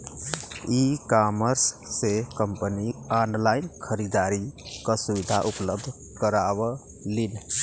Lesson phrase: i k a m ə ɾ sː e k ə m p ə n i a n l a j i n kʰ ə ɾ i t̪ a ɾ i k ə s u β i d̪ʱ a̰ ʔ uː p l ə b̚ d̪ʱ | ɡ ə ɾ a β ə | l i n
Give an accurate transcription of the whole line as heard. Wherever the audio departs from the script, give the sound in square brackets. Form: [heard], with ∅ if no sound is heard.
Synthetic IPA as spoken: i k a m ə ɾ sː e k ə m p ə n i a n l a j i n kʰ ə ɾ i [d̪] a ɾ i k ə s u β i d̪ʱ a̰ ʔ [u] p l ə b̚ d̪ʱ | [k] ə ɾ a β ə | l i n